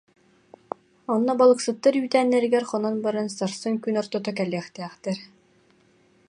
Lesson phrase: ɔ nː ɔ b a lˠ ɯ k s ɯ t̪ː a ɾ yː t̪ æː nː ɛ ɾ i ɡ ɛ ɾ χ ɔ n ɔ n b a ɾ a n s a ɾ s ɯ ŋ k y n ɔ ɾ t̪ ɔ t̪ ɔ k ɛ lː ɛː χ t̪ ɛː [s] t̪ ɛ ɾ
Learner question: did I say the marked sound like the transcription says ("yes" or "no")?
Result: no